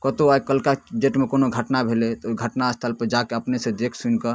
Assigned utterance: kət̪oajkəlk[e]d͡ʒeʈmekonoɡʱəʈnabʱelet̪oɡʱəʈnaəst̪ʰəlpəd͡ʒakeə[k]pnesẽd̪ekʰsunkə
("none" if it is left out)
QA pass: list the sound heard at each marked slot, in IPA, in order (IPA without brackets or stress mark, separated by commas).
a, none